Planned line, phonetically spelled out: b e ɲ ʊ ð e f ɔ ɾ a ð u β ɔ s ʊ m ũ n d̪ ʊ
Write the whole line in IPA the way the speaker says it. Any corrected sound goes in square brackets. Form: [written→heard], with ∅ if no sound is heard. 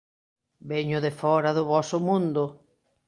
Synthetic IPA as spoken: b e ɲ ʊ ð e f ɔ ɾ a ð [u→ʊ] β ɔ s ʊ m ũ n d̪ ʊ